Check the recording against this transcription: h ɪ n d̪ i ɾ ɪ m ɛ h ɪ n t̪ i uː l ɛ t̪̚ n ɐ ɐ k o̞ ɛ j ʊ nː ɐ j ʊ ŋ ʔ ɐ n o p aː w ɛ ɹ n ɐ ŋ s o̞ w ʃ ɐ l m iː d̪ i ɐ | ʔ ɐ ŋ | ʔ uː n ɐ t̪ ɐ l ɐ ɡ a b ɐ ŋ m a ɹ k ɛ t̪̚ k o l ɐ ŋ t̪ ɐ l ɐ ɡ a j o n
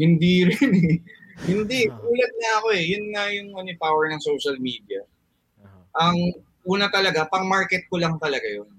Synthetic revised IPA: h ɪ n d̪ i ɾ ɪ n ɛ h ɪ n d̪ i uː l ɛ t̪̚ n ɐ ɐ k o̞ ɛ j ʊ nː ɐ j ʊ ŋ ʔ ɐ n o p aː w ɛ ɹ n ɐ ŋ s o̞ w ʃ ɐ l m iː d̪ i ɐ | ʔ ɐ ŋ | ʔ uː n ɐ t̪ ɐ l ɐ ɡ a p ɐ ŋ m a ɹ k ɛ t̪̚ k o l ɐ ŋ t̪ ɐ l ɐ ɡ a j o n